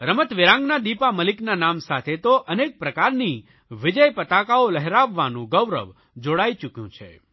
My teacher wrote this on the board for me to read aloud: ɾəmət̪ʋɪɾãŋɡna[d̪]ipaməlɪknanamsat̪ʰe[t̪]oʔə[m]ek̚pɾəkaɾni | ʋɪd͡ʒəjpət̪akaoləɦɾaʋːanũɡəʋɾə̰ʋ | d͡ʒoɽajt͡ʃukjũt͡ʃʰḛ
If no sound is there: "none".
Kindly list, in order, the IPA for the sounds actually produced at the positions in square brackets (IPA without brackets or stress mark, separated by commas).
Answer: d̪, t̪, n